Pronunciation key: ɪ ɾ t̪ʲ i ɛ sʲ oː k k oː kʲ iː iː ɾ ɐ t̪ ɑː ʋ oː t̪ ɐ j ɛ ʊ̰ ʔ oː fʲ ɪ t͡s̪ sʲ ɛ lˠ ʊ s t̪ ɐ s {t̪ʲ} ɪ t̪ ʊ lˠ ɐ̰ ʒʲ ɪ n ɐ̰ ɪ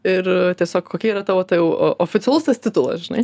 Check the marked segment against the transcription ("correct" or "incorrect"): correct